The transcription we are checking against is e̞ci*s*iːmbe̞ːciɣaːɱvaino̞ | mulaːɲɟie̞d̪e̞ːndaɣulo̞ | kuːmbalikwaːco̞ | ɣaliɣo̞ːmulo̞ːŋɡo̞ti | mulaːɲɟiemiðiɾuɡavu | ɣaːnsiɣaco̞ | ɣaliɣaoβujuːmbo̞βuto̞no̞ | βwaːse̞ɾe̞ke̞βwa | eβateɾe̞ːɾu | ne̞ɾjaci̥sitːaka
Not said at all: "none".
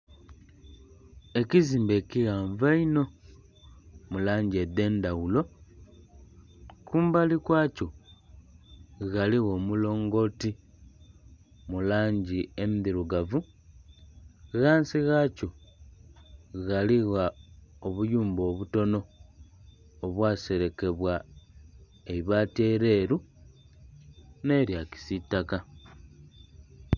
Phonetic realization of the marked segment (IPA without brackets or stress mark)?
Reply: z